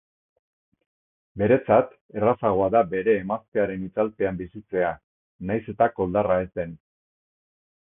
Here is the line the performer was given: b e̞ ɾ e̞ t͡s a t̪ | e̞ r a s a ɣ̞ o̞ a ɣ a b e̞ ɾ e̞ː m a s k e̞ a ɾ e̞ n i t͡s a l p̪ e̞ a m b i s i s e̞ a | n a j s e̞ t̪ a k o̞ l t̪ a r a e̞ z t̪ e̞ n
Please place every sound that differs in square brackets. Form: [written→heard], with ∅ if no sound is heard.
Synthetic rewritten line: b e̞ ɾ e̞ t͡s a t̪ | e̞ r a s a ɣ̞ o̞ a [ɣ→ð] a b e̞ ɾ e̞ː m a s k e̞ a ɾ e̞ n i t͡s a l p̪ e̞ a m b i s i [s→t͡s] e̞ a | n a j s e̞ t̪ a k o̞ l [t̪→d̪] a r a e̞ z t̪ e̞ n